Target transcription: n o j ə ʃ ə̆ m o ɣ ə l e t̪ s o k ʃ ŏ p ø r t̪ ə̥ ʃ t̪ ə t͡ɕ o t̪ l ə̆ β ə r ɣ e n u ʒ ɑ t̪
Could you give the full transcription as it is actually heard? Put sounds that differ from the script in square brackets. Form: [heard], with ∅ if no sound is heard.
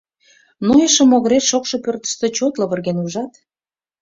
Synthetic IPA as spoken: n o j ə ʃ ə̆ m o ɣ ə [ɾ] e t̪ [ʃ] o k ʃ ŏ p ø r t̪ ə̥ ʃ t̪ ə t͡ɕ o t̪ l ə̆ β ə r ɣ e n u ʒ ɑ t̪